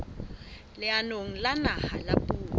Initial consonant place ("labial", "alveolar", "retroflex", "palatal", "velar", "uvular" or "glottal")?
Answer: alveolar